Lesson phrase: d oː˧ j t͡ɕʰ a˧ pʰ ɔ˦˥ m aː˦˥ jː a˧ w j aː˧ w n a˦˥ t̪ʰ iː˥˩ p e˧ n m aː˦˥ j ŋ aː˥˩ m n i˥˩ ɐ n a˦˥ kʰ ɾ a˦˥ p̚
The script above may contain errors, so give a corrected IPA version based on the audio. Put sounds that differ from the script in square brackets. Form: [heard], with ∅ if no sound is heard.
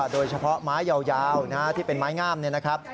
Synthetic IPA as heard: d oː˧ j t͡ɕʰ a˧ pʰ ɔ˦˥ m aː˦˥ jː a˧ w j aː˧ w n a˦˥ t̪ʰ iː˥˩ p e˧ n m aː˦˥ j ŋ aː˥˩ m n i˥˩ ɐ n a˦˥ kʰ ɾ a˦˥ p̚